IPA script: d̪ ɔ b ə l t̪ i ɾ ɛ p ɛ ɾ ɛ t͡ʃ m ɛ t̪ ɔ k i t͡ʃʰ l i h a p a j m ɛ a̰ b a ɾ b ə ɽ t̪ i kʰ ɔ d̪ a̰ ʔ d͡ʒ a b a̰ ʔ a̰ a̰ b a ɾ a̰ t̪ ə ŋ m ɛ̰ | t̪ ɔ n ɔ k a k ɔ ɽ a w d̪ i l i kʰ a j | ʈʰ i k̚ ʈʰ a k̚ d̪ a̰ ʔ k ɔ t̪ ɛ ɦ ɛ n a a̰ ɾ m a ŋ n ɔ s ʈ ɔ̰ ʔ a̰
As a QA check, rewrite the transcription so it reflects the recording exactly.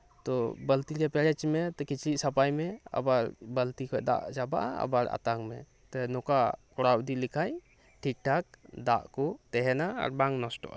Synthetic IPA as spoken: t̪ ɔ b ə l t̪ i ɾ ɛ p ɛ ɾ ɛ t͡ʃ m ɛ t̪ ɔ k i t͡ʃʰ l i s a p a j m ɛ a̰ b a ɾ b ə l t̪ i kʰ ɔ d̪ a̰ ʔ d͡ʒ a b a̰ ʔ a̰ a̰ b a ɾ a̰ t̪ a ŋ m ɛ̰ | t̪ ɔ n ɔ k a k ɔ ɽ a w d̪ i l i kʰ a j | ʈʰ i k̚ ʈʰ a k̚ d̪ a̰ ʔ k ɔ t̪ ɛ ɦ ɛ n a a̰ ɾ b a ŋ n ɔ s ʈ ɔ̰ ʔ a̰